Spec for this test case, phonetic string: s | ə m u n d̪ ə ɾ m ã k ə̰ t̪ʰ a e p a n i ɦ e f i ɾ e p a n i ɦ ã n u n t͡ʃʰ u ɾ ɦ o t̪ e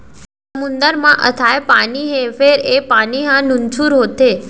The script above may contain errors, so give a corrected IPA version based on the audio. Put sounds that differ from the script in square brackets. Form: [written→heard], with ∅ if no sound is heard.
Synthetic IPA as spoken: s | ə m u n d̪ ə ɾ m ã [k→ʔ] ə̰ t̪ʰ a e p a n i ɦ e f [i→e] ɾ e p a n i ɦ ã n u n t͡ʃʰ u ɾ ɦ o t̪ e